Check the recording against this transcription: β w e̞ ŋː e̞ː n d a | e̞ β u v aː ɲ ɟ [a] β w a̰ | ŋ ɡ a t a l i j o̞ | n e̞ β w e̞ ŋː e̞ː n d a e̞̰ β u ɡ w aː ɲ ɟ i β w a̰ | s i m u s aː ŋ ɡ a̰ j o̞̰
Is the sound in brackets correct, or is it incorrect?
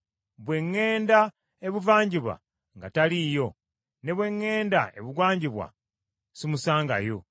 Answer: incorrect